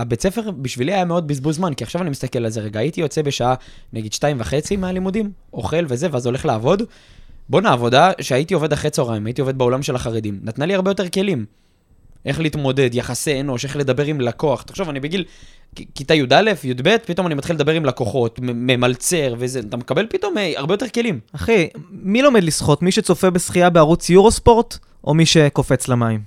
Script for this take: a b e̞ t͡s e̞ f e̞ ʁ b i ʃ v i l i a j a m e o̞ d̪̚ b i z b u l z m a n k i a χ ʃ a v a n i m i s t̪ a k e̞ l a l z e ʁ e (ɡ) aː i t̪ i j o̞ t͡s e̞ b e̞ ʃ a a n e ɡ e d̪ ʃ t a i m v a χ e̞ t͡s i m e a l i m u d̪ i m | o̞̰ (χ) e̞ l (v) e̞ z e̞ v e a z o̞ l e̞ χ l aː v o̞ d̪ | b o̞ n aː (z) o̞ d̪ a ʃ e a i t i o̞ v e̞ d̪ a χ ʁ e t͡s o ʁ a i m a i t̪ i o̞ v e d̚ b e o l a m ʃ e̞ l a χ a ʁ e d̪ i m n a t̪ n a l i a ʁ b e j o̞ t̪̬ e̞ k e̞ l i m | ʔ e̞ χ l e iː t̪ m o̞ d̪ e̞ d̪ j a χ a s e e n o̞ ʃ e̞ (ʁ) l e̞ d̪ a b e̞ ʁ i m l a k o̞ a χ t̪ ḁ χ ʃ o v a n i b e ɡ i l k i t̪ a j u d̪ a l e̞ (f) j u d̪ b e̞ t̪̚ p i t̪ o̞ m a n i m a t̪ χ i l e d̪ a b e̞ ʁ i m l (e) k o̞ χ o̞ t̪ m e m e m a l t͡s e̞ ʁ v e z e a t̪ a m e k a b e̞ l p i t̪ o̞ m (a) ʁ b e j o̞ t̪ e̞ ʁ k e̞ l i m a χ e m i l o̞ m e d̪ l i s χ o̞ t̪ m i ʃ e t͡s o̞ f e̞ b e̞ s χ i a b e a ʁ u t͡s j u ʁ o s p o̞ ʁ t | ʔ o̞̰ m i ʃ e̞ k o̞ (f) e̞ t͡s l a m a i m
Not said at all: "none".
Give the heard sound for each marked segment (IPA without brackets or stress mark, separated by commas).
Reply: ɡ, χ, v, v, χ, f, a, a, f